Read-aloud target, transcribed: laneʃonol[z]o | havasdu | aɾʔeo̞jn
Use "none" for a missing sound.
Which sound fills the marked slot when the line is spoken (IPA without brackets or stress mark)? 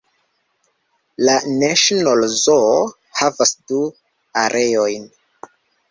z